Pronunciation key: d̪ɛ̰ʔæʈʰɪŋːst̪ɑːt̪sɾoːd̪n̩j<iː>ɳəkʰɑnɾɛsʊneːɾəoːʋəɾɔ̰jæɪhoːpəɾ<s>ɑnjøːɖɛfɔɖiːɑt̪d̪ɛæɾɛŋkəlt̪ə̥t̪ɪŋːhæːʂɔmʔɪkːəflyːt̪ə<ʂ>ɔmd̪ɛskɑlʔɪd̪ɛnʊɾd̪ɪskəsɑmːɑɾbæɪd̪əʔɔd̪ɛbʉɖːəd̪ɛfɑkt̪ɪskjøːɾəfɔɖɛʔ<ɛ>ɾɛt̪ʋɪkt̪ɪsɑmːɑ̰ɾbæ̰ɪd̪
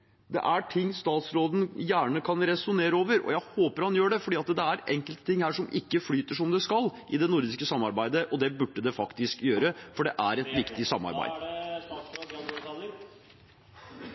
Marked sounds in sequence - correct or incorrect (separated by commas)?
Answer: incorrect, incorrect, correct, incorrect